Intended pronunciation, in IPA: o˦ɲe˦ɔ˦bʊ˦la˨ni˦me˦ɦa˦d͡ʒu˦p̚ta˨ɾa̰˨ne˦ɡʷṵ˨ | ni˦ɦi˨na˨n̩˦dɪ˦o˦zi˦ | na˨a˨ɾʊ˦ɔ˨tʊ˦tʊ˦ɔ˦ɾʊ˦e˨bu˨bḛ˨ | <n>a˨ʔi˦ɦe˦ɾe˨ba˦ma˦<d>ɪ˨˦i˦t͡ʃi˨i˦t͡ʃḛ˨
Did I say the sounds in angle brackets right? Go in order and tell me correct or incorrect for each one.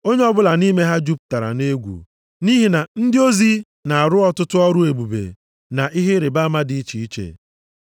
correct, correct

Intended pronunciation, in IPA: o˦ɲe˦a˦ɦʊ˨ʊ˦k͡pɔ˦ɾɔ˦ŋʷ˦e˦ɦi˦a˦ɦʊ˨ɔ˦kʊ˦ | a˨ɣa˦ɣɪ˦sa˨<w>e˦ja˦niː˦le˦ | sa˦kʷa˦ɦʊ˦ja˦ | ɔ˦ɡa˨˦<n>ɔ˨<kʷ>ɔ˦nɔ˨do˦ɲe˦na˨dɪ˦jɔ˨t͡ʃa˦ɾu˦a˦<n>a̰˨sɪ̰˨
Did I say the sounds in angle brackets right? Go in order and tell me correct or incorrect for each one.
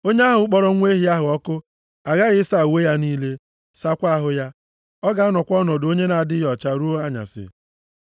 correct, correct, correct, incorrect

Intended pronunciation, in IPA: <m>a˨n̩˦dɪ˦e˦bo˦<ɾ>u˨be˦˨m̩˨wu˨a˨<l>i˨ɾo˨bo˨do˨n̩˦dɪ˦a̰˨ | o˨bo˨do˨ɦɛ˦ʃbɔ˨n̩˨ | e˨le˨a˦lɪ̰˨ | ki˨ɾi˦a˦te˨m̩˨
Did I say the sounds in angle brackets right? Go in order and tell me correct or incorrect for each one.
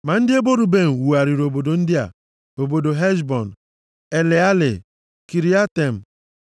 correct, correct, incorrect

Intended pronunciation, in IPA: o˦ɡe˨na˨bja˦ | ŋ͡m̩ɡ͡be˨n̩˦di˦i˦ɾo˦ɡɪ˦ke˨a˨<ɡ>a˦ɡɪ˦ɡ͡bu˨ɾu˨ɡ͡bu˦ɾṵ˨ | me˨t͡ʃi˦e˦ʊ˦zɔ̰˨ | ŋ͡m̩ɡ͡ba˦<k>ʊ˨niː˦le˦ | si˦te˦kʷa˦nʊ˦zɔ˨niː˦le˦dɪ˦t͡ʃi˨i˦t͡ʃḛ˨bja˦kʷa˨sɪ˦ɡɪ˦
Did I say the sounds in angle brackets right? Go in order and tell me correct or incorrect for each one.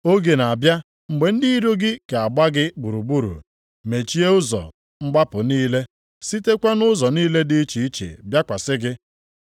incorrect, incorrect

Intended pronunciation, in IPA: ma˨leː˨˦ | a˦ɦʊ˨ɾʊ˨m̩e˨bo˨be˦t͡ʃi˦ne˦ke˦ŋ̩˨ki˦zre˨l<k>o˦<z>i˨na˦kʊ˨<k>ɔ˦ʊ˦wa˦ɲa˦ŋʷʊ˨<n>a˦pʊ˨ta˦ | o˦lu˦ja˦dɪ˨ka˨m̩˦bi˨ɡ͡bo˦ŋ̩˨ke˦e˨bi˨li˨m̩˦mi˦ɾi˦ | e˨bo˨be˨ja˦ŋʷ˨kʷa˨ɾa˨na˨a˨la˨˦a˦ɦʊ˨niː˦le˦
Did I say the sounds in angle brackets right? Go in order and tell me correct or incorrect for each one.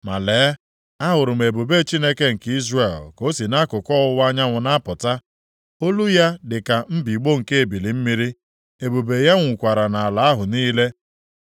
correct, incorrect, correct, correct

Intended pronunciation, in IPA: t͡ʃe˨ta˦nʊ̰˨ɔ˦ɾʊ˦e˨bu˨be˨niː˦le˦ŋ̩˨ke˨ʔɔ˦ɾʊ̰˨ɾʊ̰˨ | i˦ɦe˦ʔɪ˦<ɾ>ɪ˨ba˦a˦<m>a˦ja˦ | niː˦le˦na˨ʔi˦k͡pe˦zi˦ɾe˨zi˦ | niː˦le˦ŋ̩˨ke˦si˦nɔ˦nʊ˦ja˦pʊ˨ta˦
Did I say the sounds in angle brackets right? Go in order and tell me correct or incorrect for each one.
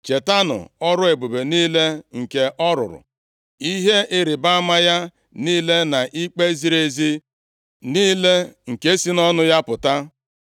correct, correct

